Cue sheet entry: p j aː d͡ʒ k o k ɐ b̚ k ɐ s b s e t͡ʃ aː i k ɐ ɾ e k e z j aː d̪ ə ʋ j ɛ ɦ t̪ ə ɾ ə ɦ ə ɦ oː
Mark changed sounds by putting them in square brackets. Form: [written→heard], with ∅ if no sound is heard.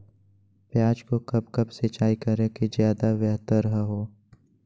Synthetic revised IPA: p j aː d͡ʒ k o k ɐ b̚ k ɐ [s→∅] b s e t͡ʃ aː i k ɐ ɾ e k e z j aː d̪ [ə→a] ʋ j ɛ ɦ t̪ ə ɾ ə ɦ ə ɦ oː